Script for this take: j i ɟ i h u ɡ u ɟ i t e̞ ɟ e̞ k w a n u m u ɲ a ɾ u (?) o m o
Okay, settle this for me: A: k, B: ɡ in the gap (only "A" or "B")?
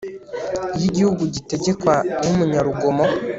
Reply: B